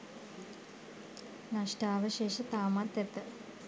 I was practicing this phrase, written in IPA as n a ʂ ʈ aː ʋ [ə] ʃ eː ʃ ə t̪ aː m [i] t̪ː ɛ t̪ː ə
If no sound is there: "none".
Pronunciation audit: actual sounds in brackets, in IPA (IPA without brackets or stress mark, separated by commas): ə, a